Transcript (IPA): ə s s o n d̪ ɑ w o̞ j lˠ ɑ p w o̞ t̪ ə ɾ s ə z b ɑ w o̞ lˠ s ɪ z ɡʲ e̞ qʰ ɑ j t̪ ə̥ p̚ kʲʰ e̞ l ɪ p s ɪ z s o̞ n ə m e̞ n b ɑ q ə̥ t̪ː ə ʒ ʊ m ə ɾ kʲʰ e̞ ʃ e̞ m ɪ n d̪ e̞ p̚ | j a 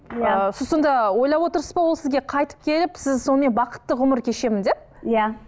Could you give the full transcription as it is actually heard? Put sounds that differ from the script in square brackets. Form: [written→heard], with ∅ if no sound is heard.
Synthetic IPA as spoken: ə s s o n d̪ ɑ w o̞ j lˠ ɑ p w o̞ t̪ ə ɾ s ə z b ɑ w o̞ lˠ s ɪ z ɡʲ e̞ qʰ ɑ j t̪ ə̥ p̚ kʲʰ e̞ l ɪ p s ɪ z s o̞ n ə m e̞ n b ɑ q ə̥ t̪ː ə [ʒ→ʁ] ʊ m ə ɾ kʲʰ e̞ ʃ e̞ m ɪ n d̪ e̞ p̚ | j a